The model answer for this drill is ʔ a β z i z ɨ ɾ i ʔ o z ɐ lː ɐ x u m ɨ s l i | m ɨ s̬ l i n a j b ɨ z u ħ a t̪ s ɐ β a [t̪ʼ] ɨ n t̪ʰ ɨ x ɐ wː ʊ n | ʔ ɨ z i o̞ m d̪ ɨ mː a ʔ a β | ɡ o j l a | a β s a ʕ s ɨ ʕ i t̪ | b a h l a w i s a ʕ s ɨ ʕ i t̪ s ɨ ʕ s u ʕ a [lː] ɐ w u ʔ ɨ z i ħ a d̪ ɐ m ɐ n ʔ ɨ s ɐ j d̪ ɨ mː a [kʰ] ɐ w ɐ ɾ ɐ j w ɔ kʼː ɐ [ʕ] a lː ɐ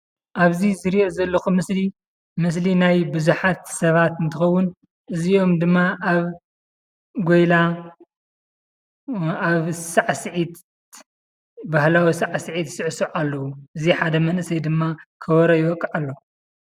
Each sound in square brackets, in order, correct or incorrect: incorrect: t̪, correct, correct, correct

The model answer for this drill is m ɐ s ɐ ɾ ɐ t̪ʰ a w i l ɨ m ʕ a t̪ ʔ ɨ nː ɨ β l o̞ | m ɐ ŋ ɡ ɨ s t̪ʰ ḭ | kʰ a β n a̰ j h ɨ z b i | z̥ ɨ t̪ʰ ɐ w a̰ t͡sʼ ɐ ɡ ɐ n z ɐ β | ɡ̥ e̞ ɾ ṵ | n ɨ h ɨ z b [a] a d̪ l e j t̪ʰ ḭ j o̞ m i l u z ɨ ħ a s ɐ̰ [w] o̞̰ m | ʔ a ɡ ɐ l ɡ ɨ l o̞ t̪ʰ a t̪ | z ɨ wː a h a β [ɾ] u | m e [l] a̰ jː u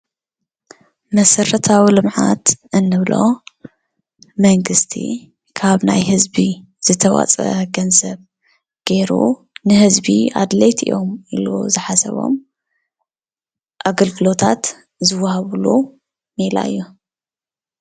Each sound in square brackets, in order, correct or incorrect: incorrect: i, incorrect: β, incorrect: l, correct

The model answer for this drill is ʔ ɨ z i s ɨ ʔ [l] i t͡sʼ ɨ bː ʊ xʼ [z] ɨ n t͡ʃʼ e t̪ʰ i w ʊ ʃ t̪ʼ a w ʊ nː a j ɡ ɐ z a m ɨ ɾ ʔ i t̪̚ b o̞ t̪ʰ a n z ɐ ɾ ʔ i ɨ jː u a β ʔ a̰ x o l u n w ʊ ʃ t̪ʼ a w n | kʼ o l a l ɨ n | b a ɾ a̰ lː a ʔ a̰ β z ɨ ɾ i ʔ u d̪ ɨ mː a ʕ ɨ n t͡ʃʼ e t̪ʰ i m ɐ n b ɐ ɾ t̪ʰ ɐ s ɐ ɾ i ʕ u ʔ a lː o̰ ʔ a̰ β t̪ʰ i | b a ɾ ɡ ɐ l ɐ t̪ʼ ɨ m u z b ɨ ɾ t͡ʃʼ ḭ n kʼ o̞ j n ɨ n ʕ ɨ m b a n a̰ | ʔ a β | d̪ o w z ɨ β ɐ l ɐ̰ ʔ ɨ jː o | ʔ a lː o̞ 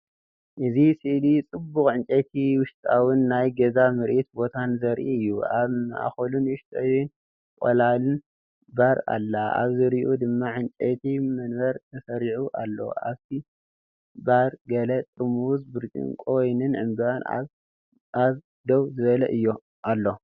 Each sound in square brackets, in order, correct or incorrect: correct, incorrect: ʕ

